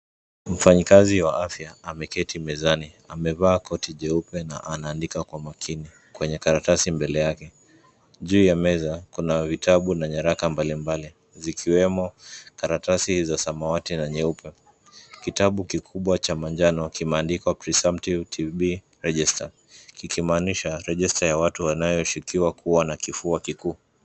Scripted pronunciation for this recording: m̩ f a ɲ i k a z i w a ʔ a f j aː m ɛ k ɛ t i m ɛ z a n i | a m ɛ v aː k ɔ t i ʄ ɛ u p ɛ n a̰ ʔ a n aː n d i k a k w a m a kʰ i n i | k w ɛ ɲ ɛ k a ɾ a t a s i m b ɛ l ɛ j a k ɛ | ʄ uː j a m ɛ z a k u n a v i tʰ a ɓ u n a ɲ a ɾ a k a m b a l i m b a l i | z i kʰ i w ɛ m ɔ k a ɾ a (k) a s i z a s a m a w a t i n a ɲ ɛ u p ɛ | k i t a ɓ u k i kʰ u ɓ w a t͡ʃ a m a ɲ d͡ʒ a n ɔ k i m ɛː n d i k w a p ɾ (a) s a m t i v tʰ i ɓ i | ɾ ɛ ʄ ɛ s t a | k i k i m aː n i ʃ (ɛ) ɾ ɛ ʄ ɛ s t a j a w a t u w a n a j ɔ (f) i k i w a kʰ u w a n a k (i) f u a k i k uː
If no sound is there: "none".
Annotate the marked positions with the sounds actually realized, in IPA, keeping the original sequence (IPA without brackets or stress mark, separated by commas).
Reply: t, i, a, ʃ, i